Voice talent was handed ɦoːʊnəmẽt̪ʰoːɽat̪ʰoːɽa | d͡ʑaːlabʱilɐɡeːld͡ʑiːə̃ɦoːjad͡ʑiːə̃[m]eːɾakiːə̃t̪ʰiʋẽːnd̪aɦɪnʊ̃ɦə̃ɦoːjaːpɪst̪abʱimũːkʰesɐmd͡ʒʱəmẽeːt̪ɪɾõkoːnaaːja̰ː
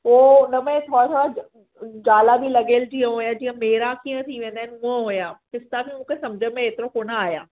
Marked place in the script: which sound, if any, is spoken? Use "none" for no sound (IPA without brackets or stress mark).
m